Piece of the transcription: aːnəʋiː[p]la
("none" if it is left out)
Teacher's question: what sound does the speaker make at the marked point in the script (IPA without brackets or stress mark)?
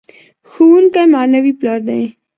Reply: p